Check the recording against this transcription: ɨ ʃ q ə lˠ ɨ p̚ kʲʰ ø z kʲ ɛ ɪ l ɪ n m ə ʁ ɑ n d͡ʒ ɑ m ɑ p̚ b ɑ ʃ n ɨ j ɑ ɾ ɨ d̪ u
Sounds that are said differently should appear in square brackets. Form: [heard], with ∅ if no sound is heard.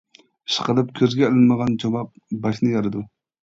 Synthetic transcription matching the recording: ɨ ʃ q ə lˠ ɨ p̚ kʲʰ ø z [ɡʲ] ɛ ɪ l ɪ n m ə ʁ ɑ n d͡ʒ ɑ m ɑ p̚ b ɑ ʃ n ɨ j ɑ ɾ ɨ d̪ u